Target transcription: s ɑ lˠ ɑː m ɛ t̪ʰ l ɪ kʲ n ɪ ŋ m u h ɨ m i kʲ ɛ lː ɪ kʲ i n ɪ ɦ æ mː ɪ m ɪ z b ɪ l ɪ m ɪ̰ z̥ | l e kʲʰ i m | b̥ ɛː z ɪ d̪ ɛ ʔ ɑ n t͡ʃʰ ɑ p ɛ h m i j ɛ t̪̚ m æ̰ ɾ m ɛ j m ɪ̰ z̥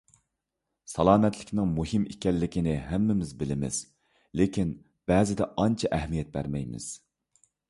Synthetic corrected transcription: s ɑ lˠ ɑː m ɛ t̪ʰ l ɪ kʲ n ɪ ŋ m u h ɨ m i kʲ ɛ lː ɪ kʲ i n ɪ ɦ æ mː ɪ m ɪ z b ɪ l ɪ m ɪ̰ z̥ | l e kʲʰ i n | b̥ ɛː z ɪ d̪ ɛ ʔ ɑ n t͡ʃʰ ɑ ʔ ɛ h m i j ɛ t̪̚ b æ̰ ɾ m ɛ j m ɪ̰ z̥